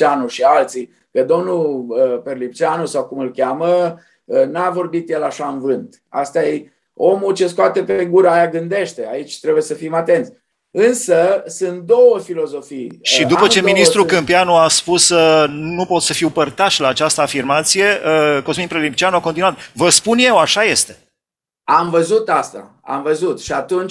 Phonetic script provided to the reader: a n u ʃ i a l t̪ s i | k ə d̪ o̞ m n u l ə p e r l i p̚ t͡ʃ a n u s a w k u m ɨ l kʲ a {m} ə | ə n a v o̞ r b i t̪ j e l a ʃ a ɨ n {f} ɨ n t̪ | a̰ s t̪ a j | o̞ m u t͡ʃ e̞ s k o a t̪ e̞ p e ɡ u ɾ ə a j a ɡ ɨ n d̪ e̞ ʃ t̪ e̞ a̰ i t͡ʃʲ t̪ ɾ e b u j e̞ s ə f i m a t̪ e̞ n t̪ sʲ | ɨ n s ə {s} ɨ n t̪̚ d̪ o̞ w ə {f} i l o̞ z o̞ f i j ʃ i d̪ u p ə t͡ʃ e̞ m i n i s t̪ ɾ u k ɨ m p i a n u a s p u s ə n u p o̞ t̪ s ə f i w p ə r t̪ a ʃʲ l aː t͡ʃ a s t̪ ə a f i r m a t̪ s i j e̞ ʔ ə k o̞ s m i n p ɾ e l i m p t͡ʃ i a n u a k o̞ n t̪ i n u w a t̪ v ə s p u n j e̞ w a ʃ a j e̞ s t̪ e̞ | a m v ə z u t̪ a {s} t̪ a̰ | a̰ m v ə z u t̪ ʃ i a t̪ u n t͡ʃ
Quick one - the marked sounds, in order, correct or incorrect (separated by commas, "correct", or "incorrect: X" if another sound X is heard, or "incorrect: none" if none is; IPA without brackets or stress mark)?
correct, incorrect: v, correct, correct, correct